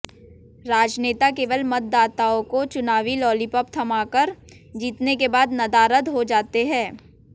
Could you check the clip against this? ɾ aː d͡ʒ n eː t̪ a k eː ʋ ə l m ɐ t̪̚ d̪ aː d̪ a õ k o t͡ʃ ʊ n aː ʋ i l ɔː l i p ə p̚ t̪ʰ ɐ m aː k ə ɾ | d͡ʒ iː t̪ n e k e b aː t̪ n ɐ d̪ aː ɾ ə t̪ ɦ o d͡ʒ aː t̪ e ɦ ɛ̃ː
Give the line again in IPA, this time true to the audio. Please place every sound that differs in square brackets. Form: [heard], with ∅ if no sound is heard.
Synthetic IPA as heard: ɾ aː d͡ʒ n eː t̪ a k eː ʋ ə l m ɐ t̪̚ d̪ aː [t̪] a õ k o t͡ʃ ʊ n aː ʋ i l ɔː l i p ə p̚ t̪ʰ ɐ m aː k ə ɾ | d͡ʒ iː t̪ n e k e b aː [d̪] n ɐ d̪ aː ɾ ə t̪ ɦ o d͡ʒ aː t̪ e ɦ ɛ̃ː

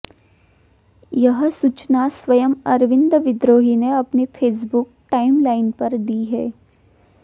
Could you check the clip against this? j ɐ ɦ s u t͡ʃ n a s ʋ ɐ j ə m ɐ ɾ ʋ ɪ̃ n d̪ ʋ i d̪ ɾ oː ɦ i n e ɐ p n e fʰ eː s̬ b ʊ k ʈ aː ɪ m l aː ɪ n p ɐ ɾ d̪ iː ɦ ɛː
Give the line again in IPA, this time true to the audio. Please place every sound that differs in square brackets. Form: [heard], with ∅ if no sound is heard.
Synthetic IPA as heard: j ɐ ɦ s u t͡ʃ n a s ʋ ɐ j ə m ɐ ɾ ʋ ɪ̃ n d̪ ʋ [ɪ] d̪ ɾ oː ɦ i n e ɐ p n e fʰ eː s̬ b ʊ k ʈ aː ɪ m l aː ɪ n p ɐ ɾ d̪ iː ɦ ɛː

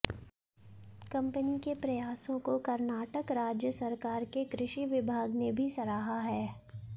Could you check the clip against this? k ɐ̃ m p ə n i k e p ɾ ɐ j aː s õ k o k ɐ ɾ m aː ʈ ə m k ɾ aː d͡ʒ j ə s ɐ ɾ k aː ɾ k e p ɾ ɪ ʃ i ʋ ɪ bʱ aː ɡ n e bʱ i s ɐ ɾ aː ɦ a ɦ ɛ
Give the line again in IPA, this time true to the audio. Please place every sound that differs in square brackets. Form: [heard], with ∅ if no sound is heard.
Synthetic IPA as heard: k ɐ̃ m p ə n i k e p ɾ ɐ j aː s õ k o k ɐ ɾ [n] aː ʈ ə [∅] k ɾ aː d͡ʒ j ə s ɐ ɾ k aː ɾ k e [k] ɾ ɪ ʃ i ʋ ɪ bʱ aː ɡ n e bʱ i s ɐ ɾ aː ɦ a ɦ [ɛː]

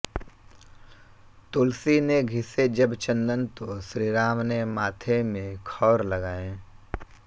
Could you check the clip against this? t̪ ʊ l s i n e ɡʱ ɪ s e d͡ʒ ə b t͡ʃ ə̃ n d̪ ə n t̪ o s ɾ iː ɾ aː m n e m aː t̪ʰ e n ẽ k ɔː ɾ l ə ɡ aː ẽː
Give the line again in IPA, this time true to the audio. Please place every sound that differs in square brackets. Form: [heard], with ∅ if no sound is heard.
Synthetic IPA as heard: t̪ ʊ l s i n e ɡʱ ɪ s e d͡ʒ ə b t͡ʃ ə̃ n d̪ ə n t̪ o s ɾ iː ɾ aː m n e m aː t̪ʰ e [m] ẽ [kʰ] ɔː ɾ l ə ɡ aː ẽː

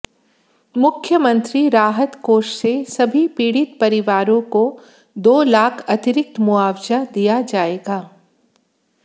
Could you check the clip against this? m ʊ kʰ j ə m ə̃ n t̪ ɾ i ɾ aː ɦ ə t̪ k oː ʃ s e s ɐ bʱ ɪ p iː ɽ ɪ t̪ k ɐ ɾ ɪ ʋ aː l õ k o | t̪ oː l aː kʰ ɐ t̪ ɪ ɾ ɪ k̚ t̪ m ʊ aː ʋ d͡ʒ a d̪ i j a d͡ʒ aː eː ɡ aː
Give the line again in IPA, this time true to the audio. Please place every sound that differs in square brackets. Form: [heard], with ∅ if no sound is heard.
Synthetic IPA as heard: m ʊ kʰ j ə m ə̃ n t̪ ɾ i ɾ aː ɦ ə t̪ k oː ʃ s e s ɐ bʱ [i] p iː ɽ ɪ t̪ [p] ɐ ɾ ɪ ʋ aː [ɾ] õ k o | [d̪] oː l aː kʰ ɐ t̪ ɪ ɾ ɪ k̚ t̪ m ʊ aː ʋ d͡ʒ a d̪ i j a d͡ʒ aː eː ɡ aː

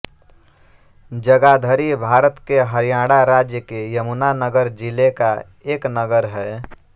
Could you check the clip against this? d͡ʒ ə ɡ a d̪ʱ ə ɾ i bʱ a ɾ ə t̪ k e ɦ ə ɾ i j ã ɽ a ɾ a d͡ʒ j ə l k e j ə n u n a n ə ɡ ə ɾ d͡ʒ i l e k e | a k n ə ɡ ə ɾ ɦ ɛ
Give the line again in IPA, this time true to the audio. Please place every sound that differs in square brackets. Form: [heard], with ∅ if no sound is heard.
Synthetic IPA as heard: d͡ʒ ə ɡ a d̪ʱ ə ɾ i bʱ a ɾ ə t̪ k e ɦ ə ɾ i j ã ɽ a ɾ a d͡ʒ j ə [∅] k e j ə [m] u n a n ə ɡ ə ɾ d͡ʒ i l e k [a] | [e] k n ə ɡ ə ɾ ɦ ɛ

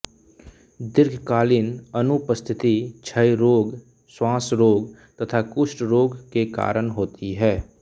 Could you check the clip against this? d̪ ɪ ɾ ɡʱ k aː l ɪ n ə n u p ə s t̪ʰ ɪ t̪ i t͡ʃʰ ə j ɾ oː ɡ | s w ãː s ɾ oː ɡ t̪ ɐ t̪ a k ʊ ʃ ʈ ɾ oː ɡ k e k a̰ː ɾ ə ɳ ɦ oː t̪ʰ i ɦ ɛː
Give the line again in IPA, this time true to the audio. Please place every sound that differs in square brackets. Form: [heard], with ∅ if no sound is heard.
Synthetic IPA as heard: d̪ ɪ ɾ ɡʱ k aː l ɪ n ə n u p ə s t̪ʰ ɪ t̪ i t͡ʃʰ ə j ɾ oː ɡ | s w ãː s ɾ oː ɡ t̪ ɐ [t̪ʰ] a k ʊ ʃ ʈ ɾ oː ɡ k e k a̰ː ɾ ə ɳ ɦ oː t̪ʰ i ɦ ɛː

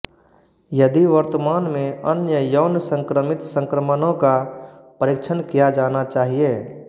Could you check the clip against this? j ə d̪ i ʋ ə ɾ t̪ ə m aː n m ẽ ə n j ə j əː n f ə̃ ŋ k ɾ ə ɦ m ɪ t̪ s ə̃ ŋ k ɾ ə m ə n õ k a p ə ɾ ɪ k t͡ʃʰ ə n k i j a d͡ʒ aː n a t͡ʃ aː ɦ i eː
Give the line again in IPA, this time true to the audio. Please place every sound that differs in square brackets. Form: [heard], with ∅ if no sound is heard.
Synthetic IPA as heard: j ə d̪ i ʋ ə ɾ t̪ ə m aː n m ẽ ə n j ə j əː n [s] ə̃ ŋ k ɾ ə [∅] m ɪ t̪ s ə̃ ŋ k ɾ ə m ə n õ k a p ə ɾ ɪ k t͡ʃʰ ə n k i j a d͡ʒ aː n a t͡ʃ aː ɦ i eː

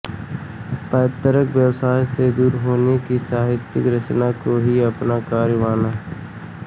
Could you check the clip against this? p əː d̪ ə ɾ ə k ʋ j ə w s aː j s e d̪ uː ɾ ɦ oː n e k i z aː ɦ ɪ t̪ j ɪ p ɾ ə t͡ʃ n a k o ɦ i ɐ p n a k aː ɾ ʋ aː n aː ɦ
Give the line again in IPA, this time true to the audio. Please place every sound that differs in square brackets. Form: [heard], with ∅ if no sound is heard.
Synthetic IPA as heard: p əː [t̪] ə ɾ ə k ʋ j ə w s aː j s e d̪ uː ɾ ɦ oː n e k i [s] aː ɦ ɪ t̪ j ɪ [k] ɾ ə t͡ʃ n a k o ɦ i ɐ p n a k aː ɾ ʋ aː n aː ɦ

